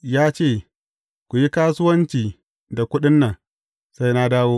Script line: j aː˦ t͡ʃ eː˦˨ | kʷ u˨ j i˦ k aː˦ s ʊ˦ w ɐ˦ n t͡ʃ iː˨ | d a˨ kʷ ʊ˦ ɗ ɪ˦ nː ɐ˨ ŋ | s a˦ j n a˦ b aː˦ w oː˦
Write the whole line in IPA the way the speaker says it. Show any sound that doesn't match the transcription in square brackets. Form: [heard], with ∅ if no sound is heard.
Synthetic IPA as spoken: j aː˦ t͡ʃ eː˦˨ | kʷ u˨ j i˦ k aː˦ s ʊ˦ w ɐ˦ n t͡ʃ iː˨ | d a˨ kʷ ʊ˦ ɗ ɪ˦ nː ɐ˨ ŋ | s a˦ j n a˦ [d] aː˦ w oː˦